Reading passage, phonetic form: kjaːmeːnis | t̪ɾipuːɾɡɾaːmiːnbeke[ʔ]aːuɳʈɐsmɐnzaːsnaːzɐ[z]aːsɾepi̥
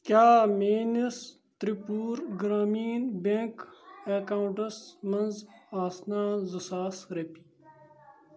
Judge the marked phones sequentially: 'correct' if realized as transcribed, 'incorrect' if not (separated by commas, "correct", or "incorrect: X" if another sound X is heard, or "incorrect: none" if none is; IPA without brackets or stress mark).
incorrect: k, incorrect: s